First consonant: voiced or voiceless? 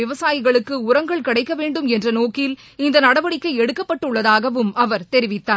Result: voiced